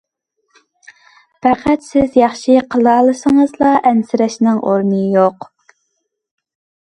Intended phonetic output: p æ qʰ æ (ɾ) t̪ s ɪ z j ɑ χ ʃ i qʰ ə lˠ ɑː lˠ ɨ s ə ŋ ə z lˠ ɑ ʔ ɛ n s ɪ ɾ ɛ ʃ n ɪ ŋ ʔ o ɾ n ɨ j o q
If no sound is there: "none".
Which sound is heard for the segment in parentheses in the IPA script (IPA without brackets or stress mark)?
none